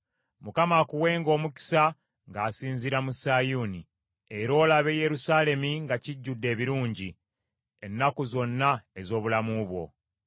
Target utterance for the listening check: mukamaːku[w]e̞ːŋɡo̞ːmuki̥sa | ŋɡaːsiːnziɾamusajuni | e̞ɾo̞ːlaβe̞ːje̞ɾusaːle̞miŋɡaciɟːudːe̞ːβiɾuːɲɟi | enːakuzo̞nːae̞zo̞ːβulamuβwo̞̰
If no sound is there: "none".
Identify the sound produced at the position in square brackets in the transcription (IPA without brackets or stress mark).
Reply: w